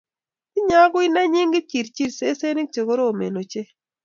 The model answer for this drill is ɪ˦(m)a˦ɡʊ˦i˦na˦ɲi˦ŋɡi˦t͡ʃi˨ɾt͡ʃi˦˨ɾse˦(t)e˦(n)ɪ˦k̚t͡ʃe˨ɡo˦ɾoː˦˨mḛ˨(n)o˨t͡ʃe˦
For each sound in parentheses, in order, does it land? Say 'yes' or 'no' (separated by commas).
no, no, yes, yes